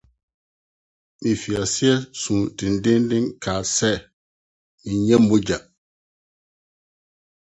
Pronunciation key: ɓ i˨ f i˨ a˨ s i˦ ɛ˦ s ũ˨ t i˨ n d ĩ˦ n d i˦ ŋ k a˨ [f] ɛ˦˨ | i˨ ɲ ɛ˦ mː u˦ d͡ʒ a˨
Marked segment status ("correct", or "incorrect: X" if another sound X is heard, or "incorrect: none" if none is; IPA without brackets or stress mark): incorrect: s